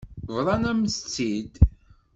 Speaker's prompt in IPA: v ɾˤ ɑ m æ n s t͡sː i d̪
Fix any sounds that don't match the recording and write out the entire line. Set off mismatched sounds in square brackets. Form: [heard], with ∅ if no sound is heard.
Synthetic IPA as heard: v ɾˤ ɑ [n] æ [m] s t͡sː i d̪